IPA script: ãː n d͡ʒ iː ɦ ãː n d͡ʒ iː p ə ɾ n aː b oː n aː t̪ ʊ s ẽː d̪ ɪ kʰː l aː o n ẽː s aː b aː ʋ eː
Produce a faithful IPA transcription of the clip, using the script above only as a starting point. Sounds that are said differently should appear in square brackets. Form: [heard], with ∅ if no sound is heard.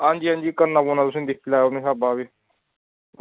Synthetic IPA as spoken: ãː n d͡ʒ iː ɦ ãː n d͡ʒ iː [k] ə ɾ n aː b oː n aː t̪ ʊ s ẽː d̪ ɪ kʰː l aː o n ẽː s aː b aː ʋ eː